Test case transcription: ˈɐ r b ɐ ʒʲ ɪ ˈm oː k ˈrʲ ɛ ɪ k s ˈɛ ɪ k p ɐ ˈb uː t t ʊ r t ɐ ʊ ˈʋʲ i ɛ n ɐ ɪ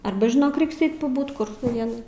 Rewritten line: ˈɐ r b ɐ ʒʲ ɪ ˈn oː k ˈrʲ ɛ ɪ k s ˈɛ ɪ t p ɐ ˈb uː t k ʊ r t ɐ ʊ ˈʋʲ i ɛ n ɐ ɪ